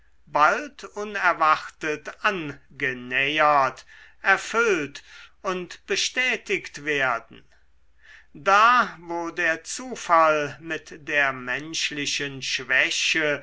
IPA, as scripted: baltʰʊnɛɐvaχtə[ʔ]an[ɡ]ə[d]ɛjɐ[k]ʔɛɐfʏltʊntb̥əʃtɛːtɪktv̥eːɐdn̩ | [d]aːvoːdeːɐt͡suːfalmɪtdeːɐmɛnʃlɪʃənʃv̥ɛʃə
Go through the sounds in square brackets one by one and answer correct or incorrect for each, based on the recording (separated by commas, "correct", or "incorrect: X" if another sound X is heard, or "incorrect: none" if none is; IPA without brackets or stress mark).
incorrect: t, correct, incorrect: n, incorrect: t, correct